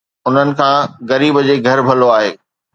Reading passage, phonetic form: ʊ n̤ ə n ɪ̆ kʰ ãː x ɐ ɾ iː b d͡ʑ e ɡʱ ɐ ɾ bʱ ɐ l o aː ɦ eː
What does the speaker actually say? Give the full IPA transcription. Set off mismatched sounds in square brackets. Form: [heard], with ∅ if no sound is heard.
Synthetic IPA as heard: ʊ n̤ ə n ɪ̆ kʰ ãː [ɣ] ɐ ɾ iː b d͡ʑ e ɡʱ ɐ ɾ bʱ ɐ l o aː ɦ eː